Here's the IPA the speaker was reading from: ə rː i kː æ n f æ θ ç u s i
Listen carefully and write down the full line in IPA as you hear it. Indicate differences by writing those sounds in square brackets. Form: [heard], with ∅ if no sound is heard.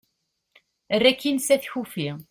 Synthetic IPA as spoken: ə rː [æ] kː [i] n [s] æ θ ç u [f] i